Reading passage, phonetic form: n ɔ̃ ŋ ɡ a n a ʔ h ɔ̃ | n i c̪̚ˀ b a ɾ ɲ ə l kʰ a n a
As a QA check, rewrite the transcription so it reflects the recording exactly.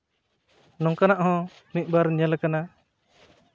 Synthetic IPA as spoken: n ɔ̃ ŋ k a n a ʔ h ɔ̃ | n i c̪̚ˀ b a ɾ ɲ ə l k a n a

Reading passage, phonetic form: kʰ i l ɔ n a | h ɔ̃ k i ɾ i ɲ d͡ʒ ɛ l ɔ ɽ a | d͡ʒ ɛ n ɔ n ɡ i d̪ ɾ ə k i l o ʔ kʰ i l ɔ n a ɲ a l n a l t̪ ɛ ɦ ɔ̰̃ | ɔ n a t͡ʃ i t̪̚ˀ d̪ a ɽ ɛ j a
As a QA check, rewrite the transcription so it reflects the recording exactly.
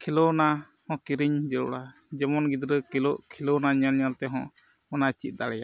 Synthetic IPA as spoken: kʰ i l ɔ n a | h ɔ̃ k i ɾ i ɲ d͡ʒ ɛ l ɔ ɽ a | d͡ʒ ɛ m ɔ n ɡ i d̪ ɾ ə k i l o ʔ kʰ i l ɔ n a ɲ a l ɲ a l t̪ ɛ ɦ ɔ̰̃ | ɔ n a t͡ʃ i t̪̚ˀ d̪ a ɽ ɛ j a

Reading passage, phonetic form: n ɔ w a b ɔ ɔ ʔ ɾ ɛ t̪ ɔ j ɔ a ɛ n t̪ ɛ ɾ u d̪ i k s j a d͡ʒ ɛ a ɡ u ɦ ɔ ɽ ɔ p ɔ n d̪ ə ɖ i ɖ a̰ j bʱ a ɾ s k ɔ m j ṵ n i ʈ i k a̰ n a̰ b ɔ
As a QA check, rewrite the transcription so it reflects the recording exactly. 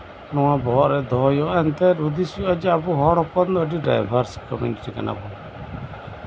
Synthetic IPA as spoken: n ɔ w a b ɔ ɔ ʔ ɾ ɛ d̪ ɔ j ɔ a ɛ n t̪ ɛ ɾ u d̪ i s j a d͡ʒ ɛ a b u ɦ ɔ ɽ ɔ p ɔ n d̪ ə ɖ i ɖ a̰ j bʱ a ɾ s k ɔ m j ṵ n i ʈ i k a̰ n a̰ b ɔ

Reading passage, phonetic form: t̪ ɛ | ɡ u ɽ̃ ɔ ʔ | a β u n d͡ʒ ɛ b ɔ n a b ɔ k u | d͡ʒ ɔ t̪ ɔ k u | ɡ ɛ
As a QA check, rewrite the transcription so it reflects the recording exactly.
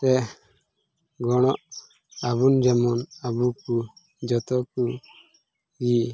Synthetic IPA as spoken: t̪ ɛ | ɡ ɔ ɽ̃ ɔ ʔ | a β u n d͡ʒ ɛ m ɔ n a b u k u | d͡ʒ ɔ t̪ ɔ k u | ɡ i

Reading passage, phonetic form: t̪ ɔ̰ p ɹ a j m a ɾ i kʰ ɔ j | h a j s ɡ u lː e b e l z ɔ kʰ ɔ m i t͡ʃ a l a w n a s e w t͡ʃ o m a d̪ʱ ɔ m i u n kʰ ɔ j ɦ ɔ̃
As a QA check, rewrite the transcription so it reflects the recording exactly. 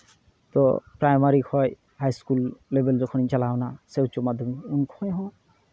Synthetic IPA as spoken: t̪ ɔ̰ p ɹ a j m a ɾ i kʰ ɔ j | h a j s k u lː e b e l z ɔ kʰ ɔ n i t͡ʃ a l a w n a s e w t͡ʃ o m a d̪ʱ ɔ m i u n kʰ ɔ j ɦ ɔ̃

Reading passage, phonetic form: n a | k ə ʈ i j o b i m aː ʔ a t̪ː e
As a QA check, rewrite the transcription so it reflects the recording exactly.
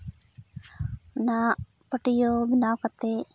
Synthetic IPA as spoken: n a | p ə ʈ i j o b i n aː k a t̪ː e

